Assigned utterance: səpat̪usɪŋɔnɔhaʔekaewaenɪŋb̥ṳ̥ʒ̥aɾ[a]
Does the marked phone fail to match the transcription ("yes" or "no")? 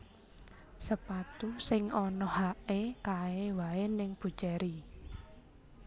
yes